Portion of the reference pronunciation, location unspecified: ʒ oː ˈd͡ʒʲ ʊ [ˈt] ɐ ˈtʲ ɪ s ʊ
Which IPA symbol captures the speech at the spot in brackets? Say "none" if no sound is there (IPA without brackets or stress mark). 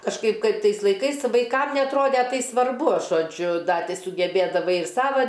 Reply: d